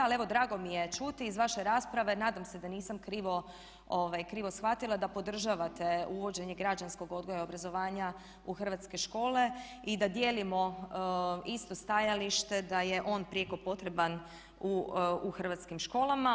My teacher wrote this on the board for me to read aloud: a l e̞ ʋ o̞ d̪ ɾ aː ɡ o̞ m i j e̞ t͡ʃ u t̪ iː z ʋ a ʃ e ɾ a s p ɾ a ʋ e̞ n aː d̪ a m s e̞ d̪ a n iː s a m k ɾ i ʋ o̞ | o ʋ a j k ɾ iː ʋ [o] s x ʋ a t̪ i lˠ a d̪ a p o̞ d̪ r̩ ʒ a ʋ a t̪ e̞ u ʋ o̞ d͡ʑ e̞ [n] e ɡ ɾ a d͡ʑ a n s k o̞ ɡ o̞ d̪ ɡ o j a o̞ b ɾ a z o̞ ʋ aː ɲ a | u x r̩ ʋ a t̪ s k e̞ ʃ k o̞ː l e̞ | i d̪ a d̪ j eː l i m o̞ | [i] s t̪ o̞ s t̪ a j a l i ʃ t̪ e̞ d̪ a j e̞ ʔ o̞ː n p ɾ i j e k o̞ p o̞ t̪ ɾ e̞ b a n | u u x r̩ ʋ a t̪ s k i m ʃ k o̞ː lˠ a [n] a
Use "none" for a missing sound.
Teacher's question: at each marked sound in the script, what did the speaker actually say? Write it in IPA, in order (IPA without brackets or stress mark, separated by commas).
o, ɲ, i, m